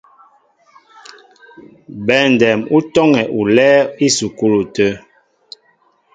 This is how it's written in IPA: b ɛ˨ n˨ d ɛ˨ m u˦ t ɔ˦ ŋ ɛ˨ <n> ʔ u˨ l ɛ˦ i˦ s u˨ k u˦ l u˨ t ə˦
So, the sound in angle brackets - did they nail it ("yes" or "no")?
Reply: no